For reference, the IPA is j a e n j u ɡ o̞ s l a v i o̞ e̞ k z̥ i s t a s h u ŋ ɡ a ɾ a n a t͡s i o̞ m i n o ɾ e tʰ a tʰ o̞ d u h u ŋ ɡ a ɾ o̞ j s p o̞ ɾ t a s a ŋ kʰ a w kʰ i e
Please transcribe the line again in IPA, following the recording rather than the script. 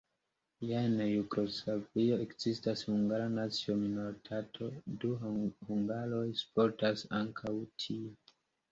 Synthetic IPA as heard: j a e n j u ɡ o̞ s l a v i o̞ e̞ k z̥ i s t a s h u ŋ ɡ a ɾ a n a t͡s i o̞ m i n o ɾ i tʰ a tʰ o̞ d u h u ŋ ɡ a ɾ o̞ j s p o̞ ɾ t a s a ŋ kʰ a w tʰ i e